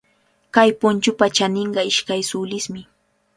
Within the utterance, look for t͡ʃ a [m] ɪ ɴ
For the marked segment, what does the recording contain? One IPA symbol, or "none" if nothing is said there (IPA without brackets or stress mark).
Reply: n